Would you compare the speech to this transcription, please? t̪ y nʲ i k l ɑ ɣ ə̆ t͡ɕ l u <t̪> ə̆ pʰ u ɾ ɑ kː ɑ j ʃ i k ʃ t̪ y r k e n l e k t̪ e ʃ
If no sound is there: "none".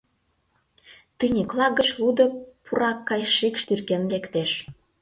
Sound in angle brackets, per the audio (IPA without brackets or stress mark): d̪